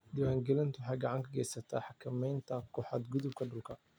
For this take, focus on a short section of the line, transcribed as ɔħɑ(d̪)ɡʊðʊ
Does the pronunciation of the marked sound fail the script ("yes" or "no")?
no